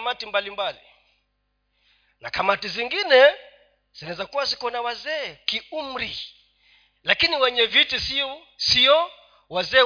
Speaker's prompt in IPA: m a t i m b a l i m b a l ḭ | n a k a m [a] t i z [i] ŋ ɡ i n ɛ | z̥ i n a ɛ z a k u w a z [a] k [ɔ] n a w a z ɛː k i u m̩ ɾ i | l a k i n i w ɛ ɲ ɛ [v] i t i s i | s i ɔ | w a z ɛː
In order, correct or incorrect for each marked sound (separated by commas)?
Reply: correct, correct, incorrect, correct, correct